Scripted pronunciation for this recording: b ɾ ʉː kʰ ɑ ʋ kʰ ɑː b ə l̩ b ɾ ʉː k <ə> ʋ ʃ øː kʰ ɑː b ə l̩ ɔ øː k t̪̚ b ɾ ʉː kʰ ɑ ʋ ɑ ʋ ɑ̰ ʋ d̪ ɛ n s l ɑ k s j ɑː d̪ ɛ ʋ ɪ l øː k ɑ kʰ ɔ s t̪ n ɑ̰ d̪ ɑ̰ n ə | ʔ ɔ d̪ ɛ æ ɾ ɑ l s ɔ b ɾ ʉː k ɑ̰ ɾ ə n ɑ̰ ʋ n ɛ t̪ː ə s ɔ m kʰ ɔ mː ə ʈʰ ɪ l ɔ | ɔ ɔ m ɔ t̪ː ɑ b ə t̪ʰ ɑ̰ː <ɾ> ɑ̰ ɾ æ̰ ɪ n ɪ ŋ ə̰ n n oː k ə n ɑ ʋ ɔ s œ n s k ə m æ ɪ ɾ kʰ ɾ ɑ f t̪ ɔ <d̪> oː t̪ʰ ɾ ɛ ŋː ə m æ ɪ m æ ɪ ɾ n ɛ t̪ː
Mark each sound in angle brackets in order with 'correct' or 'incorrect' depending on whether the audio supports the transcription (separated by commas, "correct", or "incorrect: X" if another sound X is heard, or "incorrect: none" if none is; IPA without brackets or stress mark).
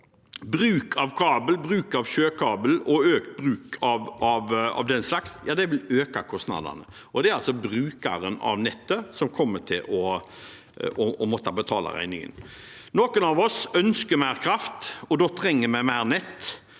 incorrect: ɑ, incorrect: l, correct